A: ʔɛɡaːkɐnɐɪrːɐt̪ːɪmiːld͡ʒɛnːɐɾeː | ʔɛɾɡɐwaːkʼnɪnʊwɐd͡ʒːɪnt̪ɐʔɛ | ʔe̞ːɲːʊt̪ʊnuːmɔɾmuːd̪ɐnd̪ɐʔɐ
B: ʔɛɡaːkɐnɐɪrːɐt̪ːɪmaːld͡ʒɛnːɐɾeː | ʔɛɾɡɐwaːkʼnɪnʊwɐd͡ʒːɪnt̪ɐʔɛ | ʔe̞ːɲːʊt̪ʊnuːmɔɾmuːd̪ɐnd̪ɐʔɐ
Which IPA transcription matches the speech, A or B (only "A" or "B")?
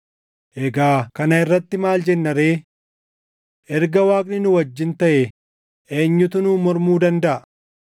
B